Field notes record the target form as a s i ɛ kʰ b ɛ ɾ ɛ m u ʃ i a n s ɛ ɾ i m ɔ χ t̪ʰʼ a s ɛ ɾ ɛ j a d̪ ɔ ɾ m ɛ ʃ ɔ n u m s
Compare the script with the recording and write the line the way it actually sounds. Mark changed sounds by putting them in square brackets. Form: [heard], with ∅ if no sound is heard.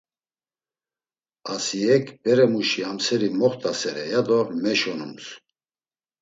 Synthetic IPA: a s i ɛ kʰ b ɛ ɾ ɛ m u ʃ i a [m] s ɛ ɾ i m ɔ χ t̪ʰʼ a s ɛ ɾ ɛ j a d̪ ɔ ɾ m ɛ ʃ ɔ n u m s